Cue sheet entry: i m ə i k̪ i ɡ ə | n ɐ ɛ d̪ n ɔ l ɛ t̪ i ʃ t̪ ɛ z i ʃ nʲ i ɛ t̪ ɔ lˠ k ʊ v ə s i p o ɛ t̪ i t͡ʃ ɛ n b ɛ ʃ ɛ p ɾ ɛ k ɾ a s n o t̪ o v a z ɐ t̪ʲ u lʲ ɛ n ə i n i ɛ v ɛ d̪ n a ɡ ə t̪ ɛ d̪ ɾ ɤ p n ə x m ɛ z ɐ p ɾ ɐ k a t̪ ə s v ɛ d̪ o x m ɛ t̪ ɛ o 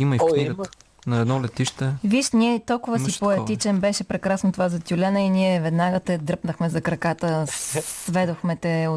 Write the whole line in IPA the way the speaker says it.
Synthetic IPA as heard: i m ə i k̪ i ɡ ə | n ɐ ɛ d̪ n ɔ l ɛ t̪ i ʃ t̪ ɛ v i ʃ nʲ i ɛ t̪ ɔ lˠ k ʊ v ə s i p o ɛ t̪ i t͡ʃ ɛ n b ɛ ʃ ɛ p ɾ ɛ k ɾ a s n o t̪ o v a z ɐ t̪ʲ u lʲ ɛ n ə i n i ɛ v ɛ d̪ n a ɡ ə t̪ ɛ d̪ ɾ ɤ p n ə x m ɛ z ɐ k ɾ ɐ k a t̪ ə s v ɛ d̪ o x m ɛ t̪ ɛ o